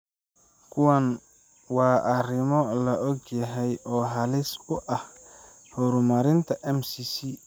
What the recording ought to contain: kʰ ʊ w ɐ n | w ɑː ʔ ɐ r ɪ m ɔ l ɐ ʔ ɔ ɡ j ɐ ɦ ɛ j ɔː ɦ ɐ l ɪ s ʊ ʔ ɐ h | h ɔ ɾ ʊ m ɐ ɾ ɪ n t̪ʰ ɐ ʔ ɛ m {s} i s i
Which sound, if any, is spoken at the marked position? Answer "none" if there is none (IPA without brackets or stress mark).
s